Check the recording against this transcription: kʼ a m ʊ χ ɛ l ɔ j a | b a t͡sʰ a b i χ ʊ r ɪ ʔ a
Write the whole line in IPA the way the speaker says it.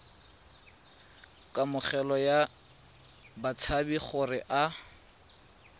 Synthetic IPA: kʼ a m ʊ χ ɛ l ɔ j a | b a t͡sʰ a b i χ ʊ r ɪ ʔ a

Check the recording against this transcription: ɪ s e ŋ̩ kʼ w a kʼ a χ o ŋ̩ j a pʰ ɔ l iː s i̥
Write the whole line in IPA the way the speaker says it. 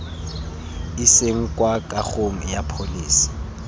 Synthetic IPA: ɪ s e ŋ̩ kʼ w a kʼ a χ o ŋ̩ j a pʰ o l iː s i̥

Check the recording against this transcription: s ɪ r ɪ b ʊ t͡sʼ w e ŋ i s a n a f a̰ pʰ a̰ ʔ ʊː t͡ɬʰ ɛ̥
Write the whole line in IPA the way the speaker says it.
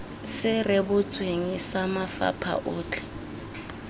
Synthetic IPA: s ɪ r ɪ b ʊ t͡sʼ w e ŋ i s a m a f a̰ pʰ a̰ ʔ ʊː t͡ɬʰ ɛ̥

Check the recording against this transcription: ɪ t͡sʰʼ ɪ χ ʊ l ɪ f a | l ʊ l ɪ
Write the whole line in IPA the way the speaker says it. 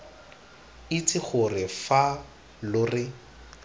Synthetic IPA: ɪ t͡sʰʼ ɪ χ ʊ r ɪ f a | l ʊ r ɪ

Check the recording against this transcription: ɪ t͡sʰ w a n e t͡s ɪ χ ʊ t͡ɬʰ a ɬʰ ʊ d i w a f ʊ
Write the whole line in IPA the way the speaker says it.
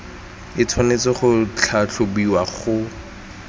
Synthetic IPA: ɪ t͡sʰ w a n e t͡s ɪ χ ʊ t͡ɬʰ a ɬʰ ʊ b i w a χ ʊ

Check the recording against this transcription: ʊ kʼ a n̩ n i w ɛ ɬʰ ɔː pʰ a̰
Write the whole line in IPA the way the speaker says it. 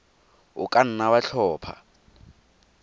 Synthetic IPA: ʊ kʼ a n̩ n a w a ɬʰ ɔː pʰ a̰

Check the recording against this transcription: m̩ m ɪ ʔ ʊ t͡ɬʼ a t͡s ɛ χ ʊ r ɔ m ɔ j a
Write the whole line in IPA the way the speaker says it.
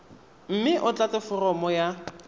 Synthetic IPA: m̩ m ɪ ʔ ʊ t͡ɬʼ a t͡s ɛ f ʊ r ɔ m ɔ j a

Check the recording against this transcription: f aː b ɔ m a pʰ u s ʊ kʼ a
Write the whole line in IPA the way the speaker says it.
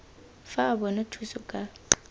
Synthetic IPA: f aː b ɔ n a tʰ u s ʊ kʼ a

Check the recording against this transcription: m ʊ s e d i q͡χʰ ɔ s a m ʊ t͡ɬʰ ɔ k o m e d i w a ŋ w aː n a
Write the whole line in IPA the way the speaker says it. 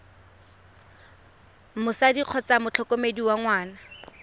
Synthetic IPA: m ʊ s a d i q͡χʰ ɔ t͡s a m ʊ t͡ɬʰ ɔ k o m e d i w a ŋ w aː n a

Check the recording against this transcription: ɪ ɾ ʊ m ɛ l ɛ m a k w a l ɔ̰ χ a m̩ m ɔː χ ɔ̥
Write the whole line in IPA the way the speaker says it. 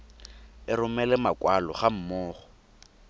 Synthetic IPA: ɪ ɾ ʊ m ɛ l ɛ m a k w a l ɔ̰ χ a m̩ m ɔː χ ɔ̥

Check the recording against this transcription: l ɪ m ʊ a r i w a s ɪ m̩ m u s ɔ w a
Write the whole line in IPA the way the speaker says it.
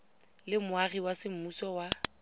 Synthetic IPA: l ɪ m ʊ a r i w a s ɪ m̩ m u s ɔ w a

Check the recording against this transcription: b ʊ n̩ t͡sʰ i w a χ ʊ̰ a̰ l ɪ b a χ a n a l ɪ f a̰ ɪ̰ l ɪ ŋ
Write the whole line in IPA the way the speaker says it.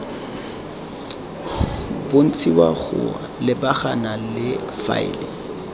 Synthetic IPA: b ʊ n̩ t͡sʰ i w a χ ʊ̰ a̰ l ɪ b a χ a n a l ɪ f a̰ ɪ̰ l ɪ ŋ

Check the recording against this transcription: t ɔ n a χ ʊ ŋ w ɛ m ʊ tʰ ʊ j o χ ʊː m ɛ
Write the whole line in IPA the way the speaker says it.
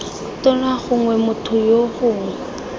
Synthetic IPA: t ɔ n a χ ʊ ŋ w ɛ m ʊ tʰ ʊ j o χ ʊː ŋ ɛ

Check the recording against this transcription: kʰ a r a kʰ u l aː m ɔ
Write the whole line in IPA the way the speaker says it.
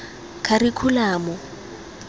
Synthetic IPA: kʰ a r i kʰ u l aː m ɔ

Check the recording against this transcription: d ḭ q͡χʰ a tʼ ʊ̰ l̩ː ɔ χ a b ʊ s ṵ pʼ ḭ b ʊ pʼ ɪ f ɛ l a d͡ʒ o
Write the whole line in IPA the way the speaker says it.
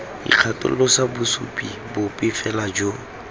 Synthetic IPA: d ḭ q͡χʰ a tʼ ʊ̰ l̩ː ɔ s a b ʊ s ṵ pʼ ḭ b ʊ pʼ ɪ f ɛ l a d͡ʒ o

